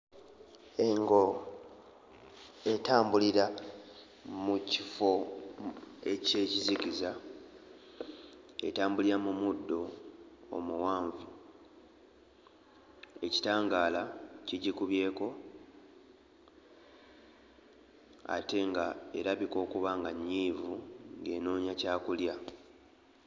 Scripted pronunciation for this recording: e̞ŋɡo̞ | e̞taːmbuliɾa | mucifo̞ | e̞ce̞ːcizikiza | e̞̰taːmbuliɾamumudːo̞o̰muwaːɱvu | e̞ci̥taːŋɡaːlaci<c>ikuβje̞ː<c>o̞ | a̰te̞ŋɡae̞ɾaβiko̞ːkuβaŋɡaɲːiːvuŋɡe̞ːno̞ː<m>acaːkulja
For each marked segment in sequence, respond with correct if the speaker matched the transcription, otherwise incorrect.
incorrect, incorrect, incorrect

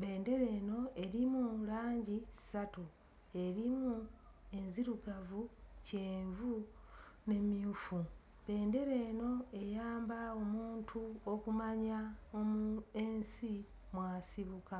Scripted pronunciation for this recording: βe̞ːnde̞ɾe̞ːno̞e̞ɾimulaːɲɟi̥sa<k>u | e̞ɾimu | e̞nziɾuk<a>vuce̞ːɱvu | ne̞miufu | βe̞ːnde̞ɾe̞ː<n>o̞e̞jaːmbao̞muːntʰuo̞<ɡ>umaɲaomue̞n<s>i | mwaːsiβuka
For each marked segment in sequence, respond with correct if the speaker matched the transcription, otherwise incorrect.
incorrect, correct, correct, incorrect, correct

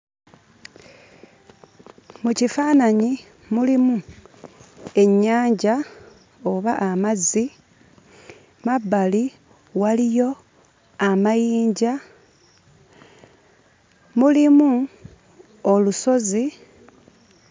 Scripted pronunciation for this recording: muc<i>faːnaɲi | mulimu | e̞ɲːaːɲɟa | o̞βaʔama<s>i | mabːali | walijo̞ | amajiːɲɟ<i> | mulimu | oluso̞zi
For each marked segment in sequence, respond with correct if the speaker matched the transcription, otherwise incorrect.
correct, incorrect, incorrect

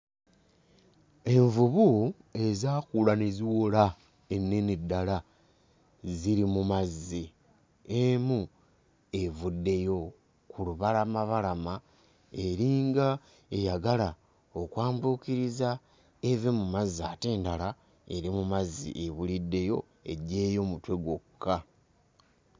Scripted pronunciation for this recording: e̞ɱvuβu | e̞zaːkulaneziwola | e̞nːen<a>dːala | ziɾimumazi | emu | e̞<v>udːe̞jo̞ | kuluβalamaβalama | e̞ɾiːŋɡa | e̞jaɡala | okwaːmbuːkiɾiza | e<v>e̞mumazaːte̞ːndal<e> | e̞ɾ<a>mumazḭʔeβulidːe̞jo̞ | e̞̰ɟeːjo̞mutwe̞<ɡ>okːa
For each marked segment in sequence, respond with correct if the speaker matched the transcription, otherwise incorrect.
incorrect, correct, correct, incorrect, incorrect, correct

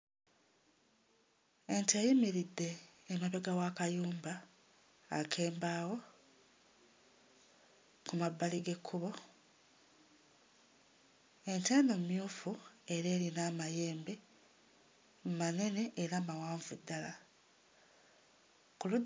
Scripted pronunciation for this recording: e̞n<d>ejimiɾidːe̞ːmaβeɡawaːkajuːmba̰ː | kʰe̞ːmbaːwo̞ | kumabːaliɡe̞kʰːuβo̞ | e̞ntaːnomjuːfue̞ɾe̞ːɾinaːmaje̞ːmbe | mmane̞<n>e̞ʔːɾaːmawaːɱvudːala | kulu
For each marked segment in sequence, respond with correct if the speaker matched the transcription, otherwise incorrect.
incorrect, correct

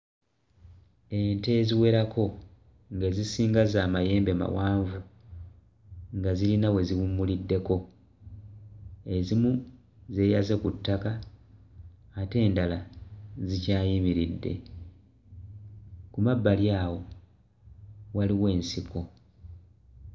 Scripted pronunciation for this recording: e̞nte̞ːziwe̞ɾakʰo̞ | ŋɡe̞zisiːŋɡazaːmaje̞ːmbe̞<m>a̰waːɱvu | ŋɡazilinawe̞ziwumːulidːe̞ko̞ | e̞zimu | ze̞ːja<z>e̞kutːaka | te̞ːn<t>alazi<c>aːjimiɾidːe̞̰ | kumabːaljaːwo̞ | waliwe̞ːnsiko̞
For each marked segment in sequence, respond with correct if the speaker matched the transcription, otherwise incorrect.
correct, correct, incorrect, correct

